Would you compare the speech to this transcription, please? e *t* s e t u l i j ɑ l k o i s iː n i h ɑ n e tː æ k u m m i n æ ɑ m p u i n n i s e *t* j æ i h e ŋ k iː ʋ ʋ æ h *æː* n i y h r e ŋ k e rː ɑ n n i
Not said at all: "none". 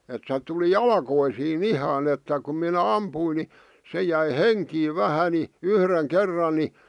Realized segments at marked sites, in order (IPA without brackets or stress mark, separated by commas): t, none, æ